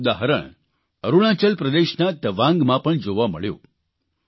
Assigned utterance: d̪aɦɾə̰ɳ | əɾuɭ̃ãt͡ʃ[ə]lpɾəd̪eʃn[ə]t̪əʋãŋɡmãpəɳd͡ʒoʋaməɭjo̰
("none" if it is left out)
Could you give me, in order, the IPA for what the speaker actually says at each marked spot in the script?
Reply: ə, a

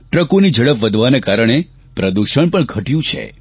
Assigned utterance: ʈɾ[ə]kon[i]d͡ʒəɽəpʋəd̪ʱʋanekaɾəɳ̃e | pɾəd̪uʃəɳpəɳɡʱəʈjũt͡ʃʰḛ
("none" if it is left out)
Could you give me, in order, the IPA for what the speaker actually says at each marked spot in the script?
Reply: ə, i

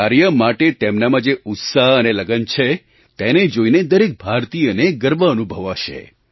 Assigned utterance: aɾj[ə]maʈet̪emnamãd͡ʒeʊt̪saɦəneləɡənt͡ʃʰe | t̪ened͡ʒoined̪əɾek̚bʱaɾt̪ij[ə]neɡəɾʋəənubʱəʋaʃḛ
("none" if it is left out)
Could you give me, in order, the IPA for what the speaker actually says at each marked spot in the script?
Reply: ə, ə

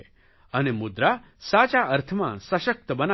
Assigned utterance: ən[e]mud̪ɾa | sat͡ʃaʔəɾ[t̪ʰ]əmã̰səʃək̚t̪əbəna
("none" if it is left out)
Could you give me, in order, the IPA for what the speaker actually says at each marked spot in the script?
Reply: e, t̪ʰ

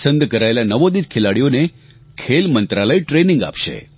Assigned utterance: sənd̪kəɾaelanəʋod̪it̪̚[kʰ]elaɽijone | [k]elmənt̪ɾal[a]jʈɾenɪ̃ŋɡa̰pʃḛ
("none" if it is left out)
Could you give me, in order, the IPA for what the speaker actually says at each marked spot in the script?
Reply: kʰ, kʰ, ə

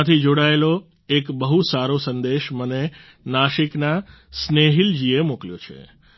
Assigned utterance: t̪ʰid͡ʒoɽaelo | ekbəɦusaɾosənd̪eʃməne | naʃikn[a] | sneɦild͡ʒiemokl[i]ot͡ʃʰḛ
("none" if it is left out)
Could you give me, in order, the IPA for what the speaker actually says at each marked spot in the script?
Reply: a, j

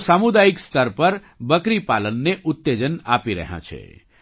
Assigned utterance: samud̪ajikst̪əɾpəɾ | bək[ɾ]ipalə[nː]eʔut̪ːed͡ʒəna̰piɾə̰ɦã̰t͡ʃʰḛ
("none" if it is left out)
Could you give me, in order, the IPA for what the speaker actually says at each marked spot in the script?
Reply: ɾ, nː

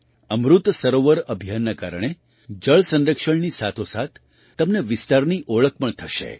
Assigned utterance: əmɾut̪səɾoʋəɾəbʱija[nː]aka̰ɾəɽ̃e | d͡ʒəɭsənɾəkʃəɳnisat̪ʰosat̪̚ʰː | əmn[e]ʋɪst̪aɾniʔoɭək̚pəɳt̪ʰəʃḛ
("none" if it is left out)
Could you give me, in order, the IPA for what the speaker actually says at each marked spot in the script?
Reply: nː, e

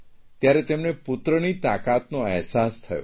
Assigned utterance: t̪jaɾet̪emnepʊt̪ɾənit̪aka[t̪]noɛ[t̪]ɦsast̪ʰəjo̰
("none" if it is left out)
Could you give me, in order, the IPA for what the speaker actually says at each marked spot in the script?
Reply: t̪, none

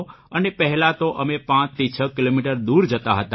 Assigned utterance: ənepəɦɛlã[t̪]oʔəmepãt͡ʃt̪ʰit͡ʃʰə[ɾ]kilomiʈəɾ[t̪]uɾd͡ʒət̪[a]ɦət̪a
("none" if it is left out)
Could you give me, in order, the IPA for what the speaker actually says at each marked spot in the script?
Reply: t̪, none, d̪, a

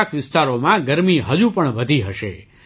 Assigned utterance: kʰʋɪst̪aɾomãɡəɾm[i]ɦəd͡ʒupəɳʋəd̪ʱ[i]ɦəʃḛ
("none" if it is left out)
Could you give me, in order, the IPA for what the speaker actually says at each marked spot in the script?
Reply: i, i

